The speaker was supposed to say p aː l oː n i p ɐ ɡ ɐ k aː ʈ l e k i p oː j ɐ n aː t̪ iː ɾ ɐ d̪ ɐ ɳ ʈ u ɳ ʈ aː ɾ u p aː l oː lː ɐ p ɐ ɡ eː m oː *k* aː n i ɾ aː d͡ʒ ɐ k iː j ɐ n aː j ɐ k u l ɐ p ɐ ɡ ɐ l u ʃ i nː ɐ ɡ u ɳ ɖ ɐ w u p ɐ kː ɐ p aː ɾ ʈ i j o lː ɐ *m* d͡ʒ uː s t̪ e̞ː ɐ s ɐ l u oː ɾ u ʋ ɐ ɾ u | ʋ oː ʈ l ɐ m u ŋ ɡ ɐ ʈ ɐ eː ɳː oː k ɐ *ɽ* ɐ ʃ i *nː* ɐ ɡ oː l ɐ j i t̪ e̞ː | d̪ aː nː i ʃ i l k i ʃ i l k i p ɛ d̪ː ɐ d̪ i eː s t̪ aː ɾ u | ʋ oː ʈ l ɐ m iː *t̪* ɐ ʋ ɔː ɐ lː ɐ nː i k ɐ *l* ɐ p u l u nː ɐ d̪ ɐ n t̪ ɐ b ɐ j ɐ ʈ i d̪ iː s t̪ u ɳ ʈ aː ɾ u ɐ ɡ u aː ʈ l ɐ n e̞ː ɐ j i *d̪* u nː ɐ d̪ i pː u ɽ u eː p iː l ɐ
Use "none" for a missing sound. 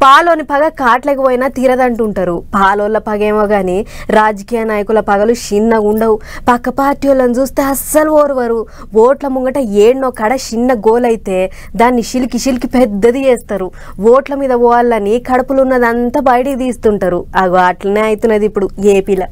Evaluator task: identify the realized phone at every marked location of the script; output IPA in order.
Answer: ɡ, n, ɽ, nː, d̪, ɽ, t̪

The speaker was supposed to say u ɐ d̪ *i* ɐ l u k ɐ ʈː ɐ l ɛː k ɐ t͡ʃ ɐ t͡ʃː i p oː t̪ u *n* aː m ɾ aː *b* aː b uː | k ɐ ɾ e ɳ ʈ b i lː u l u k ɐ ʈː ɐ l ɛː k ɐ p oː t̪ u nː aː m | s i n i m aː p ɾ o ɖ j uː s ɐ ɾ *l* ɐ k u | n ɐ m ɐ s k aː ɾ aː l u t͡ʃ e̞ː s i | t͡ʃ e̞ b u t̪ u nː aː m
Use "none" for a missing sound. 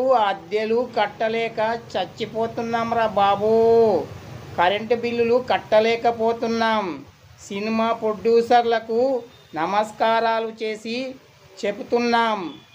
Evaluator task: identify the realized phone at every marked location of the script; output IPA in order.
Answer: j, nː, b, l

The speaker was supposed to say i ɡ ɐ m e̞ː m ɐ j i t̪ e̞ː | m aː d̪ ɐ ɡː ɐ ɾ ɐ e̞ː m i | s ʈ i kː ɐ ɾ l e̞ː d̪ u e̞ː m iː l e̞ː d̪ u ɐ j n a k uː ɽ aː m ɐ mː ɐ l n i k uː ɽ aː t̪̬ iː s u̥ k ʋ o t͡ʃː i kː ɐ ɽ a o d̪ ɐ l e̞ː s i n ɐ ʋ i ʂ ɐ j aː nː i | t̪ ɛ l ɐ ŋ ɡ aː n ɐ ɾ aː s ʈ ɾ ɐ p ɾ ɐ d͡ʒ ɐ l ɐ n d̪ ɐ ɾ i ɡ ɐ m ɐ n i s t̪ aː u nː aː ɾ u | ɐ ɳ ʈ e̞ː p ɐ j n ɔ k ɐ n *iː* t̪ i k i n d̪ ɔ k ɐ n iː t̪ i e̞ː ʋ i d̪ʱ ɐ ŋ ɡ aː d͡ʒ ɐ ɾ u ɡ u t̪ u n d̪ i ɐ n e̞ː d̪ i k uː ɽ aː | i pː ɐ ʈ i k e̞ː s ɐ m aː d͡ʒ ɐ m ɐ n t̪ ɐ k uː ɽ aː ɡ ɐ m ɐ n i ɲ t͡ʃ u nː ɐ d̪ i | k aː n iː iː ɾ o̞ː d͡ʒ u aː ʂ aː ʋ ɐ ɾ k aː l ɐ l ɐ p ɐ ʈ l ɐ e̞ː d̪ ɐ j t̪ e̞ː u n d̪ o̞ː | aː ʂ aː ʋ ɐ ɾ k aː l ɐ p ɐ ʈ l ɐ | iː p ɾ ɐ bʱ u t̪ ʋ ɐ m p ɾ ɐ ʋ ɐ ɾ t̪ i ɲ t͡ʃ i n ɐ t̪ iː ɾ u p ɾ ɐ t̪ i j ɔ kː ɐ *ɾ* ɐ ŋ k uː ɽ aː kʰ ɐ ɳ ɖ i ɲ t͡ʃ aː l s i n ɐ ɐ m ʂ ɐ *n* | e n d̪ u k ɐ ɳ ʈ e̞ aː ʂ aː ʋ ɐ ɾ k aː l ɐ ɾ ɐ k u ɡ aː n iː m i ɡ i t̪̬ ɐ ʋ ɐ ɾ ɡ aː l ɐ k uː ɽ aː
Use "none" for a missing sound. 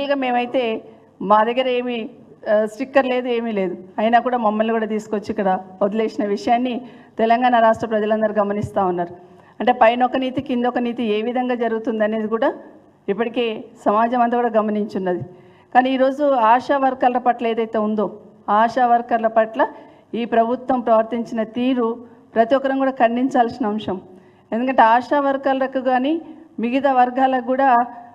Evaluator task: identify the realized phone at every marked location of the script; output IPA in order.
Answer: iː, ɾ, m

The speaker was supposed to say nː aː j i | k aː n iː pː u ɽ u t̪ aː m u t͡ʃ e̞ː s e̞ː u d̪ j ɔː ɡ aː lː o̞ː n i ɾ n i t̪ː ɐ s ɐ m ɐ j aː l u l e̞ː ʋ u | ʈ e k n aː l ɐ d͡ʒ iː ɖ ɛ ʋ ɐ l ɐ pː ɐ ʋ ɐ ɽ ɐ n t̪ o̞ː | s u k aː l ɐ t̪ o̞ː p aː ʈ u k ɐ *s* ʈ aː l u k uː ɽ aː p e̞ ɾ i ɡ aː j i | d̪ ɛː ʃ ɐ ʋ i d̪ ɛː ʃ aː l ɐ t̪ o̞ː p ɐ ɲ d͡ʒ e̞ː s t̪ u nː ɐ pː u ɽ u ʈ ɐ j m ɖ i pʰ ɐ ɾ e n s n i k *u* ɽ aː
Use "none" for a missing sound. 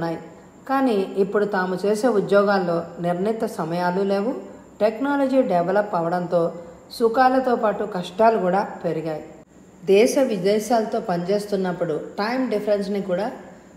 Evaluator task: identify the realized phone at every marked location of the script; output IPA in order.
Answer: ʂ, uː

